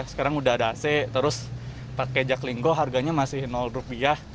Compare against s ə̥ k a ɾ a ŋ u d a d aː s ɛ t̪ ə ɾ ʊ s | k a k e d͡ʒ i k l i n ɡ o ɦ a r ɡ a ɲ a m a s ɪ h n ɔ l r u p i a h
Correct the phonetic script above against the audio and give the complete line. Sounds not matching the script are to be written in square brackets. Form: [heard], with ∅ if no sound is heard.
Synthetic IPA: s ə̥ k a ɾ a ŋ u d a d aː s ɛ t̪ ə ɾ ʊ s | [p] a k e d͡ʒ [a] k l i [ŋ] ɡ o ɦ a r ɡ a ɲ a m a s ɪ h n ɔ l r u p i a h